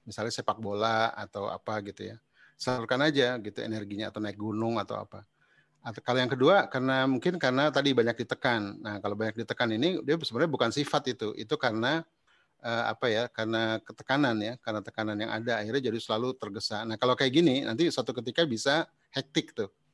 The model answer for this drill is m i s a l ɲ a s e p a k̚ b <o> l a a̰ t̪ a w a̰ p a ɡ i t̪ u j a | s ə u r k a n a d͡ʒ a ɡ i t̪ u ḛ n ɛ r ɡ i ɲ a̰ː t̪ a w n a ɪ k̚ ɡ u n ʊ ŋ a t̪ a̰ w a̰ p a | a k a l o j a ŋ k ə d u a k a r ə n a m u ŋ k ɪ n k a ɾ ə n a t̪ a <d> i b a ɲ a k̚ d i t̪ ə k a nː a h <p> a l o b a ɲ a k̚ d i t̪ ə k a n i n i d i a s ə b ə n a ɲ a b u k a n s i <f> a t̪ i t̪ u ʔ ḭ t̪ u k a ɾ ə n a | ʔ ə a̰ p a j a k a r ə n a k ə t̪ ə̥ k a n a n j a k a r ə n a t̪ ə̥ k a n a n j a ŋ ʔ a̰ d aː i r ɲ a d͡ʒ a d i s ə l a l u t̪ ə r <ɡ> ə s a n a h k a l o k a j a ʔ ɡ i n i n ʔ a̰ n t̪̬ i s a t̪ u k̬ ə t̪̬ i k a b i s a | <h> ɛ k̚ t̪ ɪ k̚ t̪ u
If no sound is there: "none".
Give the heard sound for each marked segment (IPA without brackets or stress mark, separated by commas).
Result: o, d, k, f, ɡ, h